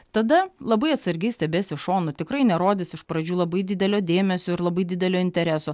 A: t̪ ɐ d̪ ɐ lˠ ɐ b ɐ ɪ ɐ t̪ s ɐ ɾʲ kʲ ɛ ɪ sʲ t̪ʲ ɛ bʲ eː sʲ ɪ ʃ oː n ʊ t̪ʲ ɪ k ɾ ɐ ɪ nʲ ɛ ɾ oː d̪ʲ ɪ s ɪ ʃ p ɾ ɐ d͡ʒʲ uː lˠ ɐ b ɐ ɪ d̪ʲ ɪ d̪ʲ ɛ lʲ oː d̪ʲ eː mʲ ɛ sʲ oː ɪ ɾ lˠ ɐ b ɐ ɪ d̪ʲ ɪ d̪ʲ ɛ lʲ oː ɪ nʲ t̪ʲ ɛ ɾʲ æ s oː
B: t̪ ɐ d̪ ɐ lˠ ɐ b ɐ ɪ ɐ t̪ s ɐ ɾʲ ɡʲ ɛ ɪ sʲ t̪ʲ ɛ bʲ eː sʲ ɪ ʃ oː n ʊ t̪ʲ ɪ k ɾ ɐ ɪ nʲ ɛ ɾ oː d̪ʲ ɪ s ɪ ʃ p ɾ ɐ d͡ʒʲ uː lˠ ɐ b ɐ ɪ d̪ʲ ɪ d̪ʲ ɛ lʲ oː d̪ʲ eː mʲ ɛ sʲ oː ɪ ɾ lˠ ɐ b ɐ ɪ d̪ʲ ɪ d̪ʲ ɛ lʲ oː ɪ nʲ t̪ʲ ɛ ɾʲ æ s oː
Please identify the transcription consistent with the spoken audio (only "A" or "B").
B